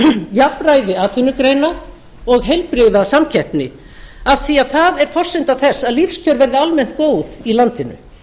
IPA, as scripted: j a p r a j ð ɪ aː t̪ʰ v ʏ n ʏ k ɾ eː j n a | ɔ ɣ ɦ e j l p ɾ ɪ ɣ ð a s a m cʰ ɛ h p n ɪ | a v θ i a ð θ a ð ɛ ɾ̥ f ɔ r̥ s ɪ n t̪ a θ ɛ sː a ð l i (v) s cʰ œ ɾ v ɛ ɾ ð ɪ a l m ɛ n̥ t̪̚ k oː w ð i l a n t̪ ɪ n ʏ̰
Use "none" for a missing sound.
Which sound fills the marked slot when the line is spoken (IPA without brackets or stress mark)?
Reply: f